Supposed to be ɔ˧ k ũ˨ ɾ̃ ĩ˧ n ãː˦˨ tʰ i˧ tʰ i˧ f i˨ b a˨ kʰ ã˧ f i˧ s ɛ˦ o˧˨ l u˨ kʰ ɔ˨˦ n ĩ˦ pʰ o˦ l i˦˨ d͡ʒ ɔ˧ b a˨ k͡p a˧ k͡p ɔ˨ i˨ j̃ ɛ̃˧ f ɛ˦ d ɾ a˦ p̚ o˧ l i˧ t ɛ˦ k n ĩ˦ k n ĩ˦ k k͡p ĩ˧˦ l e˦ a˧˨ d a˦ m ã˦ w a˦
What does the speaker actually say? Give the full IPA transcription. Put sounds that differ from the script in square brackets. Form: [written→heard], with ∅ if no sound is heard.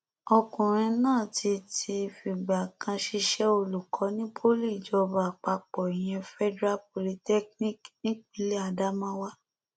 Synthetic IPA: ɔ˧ k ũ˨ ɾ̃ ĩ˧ n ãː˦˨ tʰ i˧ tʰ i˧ f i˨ [b→ɡ͡b] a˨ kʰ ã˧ [f→ʃ] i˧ [s→ʃ] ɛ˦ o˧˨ l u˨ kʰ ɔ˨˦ n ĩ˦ pʰ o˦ l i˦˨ d͡ʒ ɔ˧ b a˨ k͡p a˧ k͡p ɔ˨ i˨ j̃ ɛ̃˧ f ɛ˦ d ɾ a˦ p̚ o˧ l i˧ t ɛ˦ k n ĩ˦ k n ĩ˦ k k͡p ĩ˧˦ l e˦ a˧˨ d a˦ m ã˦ w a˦